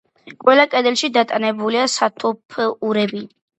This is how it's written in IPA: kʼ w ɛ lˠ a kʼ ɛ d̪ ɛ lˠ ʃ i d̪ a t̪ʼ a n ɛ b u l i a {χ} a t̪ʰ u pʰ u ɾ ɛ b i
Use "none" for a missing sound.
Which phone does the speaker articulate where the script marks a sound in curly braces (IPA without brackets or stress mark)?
s